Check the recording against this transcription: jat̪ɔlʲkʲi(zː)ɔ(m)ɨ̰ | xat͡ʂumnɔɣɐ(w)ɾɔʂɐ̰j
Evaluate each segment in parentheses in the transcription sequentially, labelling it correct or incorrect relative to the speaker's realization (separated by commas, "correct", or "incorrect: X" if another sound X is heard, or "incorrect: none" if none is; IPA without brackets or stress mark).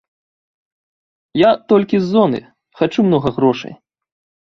correct, incorrect: n, incorrect: ɣ